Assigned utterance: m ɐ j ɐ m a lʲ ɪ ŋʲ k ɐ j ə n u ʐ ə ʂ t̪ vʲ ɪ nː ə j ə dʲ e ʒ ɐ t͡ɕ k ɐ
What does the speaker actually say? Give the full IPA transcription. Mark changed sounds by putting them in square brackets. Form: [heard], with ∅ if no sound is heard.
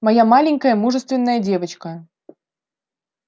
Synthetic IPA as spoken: m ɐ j [a] m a lʲ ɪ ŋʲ k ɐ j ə [m] u ʐ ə [s] t̪ vʲ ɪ nː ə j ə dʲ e [v] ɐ t͡ɕ k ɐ